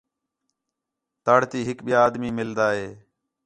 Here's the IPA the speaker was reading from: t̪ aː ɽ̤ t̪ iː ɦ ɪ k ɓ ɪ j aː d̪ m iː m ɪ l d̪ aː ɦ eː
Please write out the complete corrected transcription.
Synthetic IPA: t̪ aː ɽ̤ t̪ iː ɦ ɪ k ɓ ɪ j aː d̪ m iː m ɪ l d̪ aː ɦ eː